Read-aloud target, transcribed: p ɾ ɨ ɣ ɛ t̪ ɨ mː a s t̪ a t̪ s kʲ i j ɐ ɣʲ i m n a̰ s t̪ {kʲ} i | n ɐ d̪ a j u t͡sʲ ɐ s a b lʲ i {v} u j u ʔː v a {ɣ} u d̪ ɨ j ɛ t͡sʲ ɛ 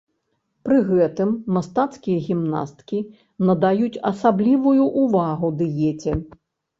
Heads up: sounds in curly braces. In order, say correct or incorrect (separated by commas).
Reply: correct, correct, correct